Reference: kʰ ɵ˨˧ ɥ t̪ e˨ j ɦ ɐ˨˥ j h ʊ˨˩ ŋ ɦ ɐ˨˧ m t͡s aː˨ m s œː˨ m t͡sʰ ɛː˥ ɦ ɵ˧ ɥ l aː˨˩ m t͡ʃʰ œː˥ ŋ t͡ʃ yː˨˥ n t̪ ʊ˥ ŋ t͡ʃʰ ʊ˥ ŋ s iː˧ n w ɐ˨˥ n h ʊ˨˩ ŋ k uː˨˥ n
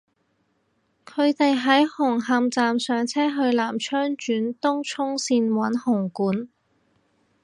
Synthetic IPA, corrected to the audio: kʰ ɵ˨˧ ɥ t̪ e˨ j ɦ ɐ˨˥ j h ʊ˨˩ ŋ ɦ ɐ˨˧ m t͡s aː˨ m s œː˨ ŋ t͡sʰ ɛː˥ ɦ ɵ˧ ɥ l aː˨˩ m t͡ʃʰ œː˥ ŋ t͡ʃ yː˨˥ n t̪ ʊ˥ ŋ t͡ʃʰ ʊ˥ ŋ s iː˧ n w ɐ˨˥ n h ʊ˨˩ ŋ k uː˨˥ n